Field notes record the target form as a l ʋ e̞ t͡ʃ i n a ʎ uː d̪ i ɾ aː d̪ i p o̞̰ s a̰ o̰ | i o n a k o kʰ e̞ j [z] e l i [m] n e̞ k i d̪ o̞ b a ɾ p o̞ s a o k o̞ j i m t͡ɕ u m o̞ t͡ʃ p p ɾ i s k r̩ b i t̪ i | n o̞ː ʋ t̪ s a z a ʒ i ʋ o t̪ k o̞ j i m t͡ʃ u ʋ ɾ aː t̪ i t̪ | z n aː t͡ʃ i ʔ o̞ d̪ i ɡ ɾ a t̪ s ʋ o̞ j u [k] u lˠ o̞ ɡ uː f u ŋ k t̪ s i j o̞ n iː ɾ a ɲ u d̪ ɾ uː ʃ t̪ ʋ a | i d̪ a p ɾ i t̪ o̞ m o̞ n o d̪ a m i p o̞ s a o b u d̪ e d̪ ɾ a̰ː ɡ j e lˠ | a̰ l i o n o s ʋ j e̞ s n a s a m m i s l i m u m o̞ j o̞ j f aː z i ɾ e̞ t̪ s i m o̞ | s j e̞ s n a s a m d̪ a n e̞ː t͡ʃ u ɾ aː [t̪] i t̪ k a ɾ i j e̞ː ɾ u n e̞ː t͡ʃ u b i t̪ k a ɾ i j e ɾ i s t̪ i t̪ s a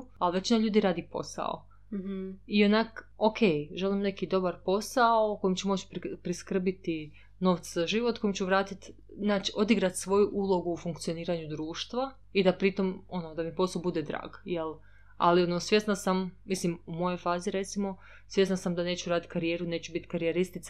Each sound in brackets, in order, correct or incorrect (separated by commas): incorrect, correct, incorrect, incorrect